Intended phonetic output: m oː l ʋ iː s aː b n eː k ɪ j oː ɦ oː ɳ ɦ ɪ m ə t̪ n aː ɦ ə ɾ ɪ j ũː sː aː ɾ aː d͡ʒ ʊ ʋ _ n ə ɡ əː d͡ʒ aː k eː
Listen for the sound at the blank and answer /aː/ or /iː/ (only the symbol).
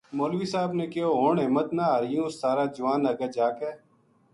aː